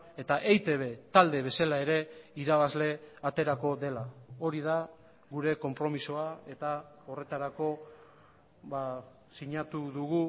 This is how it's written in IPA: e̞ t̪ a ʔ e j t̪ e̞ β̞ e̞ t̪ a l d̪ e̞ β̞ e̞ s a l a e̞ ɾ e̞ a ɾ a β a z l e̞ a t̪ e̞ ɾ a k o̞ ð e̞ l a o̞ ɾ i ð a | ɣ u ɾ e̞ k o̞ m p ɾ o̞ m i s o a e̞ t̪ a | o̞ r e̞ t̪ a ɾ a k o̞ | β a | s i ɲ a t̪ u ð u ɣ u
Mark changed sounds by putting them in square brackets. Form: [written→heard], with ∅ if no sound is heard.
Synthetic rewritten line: e̞ t̪ a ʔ e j t̪ e̞ β̞ e̞ t̪ a l d̪ e̞ β̞ e̞ s a l a e̞ ɾ e̞ [a→i] ɾ a β a z l e̞ a t̪ e̞ ɾ a k o̞ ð e̞ l a o̞ ɾ i ð a | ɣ u ɾ e̞ k o̞ m p ɾ o̞ m i s o a e̞ t̪ a | o̞ r e̞ t̪ a ɾ a k o̞ | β a | s i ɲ a t̪ u ð u ɣ u